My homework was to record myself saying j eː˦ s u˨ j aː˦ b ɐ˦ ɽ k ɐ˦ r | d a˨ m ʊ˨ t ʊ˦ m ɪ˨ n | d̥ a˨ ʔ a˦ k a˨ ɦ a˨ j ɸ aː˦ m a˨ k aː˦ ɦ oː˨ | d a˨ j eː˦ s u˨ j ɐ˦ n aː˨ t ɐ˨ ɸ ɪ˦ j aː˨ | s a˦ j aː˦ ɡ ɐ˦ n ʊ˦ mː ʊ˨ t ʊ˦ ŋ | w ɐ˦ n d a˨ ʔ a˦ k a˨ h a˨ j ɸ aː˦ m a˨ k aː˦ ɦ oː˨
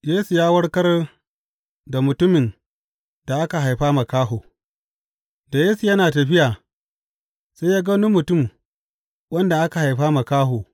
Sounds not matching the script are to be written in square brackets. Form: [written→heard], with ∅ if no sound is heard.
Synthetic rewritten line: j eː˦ s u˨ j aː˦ [b→w] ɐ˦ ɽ k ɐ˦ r | d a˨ m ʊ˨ t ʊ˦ m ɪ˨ n | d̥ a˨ ʔ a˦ k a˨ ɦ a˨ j ɸ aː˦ m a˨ k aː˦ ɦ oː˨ | d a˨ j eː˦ s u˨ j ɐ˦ n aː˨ t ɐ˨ ɸ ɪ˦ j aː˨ | s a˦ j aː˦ ɡ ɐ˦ n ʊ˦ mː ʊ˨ t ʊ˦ [ŋ→m] | w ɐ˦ n d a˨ ʔ a˦ k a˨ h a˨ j ɸ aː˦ m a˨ k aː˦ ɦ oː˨